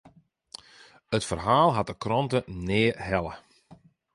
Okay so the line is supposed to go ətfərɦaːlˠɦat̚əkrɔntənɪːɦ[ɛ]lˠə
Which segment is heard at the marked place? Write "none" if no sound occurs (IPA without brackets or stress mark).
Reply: ɛ